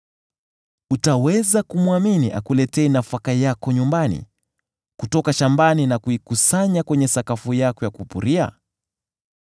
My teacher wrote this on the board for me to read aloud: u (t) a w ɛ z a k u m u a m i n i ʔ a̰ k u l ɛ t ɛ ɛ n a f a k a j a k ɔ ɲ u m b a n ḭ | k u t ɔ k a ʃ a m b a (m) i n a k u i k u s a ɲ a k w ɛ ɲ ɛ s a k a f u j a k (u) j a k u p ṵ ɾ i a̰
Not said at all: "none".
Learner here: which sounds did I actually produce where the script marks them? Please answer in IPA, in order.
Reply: t, n, ɔ

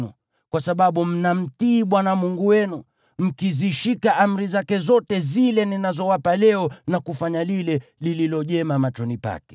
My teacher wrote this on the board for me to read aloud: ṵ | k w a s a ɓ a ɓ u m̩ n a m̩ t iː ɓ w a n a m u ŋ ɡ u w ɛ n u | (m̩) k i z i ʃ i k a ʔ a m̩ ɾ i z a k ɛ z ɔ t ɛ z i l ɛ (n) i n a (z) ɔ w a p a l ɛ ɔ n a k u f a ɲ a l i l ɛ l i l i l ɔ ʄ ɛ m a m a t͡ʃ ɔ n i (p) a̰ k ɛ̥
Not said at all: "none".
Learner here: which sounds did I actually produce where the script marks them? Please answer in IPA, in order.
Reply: m̩, n, z, p

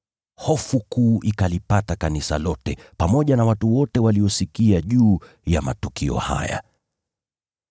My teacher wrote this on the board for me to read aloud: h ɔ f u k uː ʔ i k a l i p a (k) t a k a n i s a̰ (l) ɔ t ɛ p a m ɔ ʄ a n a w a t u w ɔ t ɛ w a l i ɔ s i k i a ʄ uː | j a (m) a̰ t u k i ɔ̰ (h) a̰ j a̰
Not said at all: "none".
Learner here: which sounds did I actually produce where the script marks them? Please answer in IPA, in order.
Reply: none, l, m, h

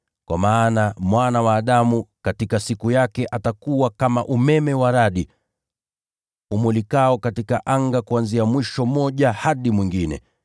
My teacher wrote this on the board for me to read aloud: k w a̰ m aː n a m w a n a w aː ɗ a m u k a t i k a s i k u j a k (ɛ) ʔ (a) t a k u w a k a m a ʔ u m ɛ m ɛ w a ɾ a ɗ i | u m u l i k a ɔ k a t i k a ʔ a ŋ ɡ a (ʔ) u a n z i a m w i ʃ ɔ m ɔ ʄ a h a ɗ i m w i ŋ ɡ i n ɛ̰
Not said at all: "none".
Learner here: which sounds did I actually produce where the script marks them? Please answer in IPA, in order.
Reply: ɛ, a, k

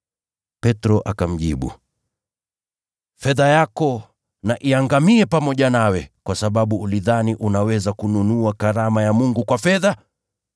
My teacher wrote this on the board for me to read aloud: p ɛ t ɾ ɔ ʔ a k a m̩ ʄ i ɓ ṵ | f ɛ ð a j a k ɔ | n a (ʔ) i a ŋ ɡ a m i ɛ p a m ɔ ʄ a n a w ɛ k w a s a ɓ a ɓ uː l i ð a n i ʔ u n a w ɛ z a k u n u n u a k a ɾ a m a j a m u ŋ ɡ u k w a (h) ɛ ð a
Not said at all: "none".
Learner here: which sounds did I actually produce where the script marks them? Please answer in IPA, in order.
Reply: ʔ, f

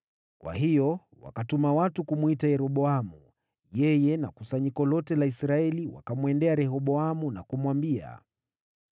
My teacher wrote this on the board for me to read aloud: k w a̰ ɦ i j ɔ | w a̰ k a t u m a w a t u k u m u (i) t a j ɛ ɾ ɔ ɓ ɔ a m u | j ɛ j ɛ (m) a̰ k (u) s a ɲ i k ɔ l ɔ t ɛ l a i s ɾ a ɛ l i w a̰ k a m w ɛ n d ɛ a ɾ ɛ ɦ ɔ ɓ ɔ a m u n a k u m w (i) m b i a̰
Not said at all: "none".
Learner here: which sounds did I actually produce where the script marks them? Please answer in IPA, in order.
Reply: i, n, u, a

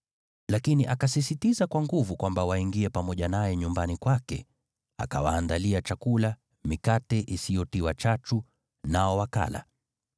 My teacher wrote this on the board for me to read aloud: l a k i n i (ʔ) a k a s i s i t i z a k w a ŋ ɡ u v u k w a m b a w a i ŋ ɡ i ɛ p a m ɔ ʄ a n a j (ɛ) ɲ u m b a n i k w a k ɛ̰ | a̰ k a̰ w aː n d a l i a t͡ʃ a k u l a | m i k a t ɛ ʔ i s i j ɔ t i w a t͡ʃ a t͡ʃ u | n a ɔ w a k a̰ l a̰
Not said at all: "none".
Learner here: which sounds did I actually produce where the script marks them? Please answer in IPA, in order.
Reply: ʔ, ɛ

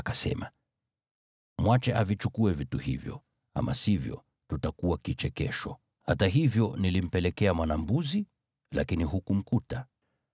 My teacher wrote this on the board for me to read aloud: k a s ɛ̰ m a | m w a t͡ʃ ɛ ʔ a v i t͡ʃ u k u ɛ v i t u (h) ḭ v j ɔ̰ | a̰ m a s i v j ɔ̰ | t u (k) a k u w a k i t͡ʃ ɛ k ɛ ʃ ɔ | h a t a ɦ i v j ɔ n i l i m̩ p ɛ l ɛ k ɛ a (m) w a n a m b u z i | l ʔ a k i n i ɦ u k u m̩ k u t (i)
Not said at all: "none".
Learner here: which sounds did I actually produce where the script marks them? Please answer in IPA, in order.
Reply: h, t, m, a

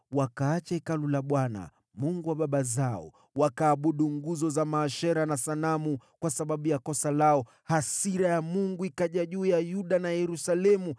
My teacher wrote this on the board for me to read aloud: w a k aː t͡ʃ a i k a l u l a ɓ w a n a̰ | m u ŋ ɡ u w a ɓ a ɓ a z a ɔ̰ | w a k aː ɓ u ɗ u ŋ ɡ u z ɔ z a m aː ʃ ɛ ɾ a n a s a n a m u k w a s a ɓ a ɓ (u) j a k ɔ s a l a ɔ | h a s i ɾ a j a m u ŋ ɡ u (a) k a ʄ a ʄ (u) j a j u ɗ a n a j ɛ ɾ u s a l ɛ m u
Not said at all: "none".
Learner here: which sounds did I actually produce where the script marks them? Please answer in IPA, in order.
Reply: u, i, uː

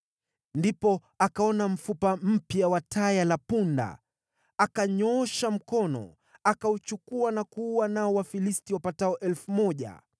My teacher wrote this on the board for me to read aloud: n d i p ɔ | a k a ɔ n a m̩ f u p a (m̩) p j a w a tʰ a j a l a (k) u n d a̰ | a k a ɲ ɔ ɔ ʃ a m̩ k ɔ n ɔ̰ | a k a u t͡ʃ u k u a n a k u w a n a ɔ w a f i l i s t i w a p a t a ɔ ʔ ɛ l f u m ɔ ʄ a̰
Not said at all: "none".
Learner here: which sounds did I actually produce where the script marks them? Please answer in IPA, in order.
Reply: m̩, p

